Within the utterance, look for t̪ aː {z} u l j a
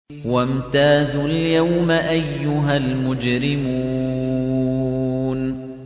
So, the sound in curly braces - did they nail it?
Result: yes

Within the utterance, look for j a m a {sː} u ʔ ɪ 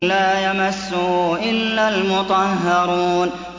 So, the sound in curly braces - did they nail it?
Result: yes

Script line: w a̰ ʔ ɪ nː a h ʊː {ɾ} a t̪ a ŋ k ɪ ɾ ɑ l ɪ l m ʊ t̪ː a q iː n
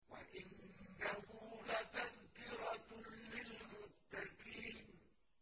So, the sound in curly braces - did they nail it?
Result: no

